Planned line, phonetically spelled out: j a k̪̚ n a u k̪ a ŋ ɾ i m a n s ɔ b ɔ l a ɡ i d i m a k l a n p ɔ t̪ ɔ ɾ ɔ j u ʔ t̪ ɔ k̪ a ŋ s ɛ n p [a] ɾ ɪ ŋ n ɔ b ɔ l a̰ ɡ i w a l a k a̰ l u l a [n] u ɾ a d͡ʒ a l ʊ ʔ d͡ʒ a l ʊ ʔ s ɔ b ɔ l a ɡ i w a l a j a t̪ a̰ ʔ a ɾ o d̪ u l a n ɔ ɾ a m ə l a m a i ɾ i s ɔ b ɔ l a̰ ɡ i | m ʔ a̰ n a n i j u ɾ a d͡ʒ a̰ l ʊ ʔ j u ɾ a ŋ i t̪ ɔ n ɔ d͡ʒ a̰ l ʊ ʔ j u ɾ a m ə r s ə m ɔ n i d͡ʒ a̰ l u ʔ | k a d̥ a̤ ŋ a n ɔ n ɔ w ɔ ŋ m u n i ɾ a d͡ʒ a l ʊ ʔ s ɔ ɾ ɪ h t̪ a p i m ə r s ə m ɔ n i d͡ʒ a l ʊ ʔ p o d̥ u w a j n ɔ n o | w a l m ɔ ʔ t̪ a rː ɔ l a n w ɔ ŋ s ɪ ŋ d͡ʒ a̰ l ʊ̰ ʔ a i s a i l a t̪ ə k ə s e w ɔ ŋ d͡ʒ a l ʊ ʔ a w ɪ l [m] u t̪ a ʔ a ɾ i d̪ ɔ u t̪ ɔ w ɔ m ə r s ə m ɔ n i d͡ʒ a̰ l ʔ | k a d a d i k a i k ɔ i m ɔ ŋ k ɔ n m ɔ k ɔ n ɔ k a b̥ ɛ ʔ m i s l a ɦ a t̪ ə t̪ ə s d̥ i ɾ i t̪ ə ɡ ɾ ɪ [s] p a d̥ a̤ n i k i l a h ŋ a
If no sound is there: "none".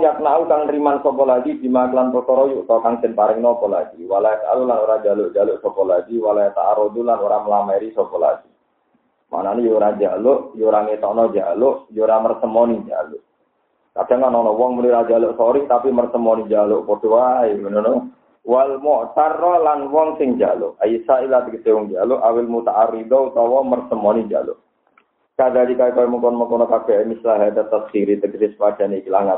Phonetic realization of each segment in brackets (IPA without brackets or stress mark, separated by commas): a, n, m, s